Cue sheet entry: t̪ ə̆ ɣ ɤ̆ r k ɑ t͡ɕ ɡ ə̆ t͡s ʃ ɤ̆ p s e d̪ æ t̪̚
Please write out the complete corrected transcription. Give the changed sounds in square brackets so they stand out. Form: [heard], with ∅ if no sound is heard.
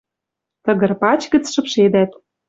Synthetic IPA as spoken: t̪ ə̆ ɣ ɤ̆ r [p] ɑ t͡ɕ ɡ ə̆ t͡s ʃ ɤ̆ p [ʃ] e d̪ æ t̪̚